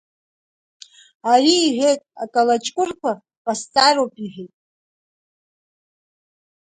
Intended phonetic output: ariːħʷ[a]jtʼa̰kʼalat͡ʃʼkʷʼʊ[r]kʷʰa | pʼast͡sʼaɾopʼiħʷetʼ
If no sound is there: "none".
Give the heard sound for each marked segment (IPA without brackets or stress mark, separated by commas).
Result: e, r